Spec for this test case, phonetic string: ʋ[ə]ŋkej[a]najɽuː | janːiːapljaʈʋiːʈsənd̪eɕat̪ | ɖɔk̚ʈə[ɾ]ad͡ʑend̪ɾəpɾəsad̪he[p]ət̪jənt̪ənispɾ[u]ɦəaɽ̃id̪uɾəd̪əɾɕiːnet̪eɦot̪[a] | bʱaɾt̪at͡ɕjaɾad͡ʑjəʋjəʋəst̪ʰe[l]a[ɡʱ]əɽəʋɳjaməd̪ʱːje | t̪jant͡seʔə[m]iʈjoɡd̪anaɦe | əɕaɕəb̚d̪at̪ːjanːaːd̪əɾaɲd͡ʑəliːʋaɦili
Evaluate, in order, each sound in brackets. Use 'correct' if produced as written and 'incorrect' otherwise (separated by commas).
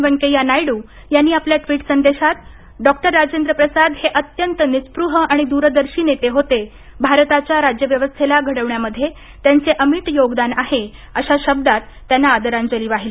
correct, correct, incorrect, incorrect, correct, incorrect, correct, correct, correct